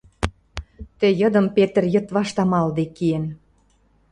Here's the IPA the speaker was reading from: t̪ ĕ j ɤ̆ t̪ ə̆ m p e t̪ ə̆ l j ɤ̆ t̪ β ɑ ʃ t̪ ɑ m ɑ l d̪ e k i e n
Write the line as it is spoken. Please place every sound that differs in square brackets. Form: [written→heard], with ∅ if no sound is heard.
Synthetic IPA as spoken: t̪ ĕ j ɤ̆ [t̪→d̪] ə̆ m p e t̪ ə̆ [l→r] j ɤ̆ t̪ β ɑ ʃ t̪ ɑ m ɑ l d̪ e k i e n